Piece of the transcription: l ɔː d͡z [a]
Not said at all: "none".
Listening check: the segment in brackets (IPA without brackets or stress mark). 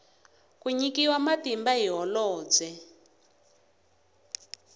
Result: ɛ